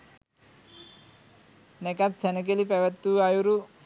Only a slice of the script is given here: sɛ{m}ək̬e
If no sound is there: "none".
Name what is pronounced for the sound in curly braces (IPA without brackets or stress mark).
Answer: n